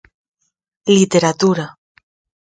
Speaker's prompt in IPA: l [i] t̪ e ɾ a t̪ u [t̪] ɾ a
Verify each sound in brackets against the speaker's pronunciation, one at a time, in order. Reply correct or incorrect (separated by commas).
correct, incorrect